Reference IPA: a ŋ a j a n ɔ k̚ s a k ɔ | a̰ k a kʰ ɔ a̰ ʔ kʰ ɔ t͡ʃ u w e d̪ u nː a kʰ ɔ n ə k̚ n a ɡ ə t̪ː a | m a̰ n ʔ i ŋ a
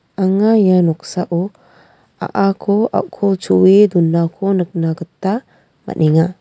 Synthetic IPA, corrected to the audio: a ŋ a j a n ɔ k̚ s a ʔ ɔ | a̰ ʔ a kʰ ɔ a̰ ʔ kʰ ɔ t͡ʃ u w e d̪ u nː a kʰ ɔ n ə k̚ n a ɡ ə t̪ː a | m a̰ n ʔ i ŋ a